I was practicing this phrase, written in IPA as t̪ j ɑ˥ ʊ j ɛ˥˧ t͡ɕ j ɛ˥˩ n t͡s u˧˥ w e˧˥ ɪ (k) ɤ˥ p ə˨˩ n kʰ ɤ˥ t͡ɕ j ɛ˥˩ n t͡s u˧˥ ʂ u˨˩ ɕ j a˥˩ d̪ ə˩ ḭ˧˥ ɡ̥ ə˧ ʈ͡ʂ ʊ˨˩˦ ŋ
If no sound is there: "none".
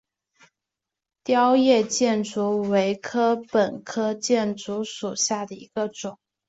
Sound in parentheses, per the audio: kʰ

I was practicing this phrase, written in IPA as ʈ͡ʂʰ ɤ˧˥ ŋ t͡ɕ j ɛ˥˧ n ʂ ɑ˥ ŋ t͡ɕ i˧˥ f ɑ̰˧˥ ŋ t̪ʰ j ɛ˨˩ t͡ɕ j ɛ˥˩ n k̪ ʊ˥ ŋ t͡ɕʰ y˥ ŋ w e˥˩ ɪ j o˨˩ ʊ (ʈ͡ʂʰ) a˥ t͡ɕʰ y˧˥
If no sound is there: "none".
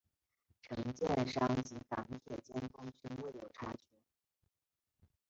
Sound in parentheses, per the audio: ʈ͡ʂʰ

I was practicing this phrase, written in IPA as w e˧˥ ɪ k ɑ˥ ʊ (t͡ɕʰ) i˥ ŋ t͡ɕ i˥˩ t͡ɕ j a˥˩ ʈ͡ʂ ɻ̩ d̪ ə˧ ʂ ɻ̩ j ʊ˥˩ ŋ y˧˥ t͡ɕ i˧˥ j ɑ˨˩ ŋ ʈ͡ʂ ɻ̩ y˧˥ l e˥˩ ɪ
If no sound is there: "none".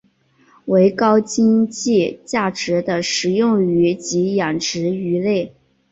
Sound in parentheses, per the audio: t͡ɕ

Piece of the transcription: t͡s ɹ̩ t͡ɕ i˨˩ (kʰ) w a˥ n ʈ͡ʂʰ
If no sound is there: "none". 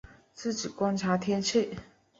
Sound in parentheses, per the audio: k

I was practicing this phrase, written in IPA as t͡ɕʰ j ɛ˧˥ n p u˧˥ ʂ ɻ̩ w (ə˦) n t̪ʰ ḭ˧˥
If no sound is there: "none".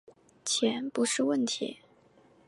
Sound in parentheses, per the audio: ə˥˩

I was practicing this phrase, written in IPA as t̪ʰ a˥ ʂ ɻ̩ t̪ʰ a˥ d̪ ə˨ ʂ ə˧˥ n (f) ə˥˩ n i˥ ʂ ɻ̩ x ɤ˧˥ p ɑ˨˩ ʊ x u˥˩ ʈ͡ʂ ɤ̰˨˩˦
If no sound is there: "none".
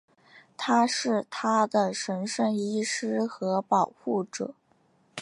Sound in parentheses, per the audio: ʂ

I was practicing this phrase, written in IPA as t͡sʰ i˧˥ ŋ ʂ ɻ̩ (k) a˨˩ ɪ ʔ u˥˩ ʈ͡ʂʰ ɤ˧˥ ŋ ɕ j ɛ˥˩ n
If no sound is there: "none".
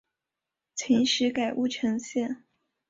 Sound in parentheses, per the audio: k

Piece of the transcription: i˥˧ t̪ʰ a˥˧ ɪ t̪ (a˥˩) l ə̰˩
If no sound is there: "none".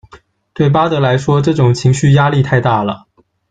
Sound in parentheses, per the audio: a˥˩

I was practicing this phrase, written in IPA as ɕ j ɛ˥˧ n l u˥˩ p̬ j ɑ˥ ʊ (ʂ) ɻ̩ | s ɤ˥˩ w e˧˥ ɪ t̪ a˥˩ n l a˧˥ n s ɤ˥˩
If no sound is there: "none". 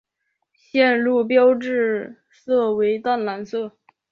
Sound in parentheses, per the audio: ʈ͡ʂ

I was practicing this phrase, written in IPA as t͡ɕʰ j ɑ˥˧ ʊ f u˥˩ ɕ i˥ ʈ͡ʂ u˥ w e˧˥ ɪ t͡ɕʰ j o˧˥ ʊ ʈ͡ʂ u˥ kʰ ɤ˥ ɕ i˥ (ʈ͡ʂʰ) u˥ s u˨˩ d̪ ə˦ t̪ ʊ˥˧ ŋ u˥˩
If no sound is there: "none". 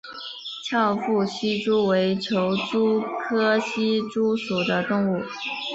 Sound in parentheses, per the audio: ʈ͡ʂ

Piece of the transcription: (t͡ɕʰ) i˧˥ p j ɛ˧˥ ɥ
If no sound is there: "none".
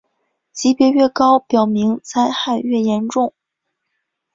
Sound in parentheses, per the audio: t͡ɕ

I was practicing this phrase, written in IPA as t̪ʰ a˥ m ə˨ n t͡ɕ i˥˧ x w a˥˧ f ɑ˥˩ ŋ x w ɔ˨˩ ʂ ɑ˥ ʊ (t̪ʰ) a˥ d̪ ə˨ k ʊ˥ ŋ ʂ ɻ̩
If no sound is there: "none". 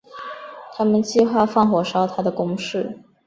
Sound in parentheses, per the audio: t̪ʰ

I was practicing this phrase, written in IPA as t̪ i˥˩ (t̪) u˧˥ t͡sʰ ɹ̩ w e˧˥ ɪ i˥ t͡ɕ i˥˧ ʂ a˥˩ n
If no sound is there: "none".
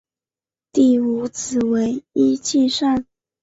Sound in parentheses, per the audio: none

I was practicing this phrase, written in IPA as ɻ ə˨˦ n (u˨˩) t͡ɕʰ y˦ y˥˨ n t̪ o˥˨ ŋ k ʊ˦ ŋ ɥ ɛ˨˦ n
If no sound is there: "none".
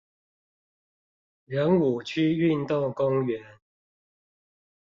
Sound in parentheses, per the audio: u˨˩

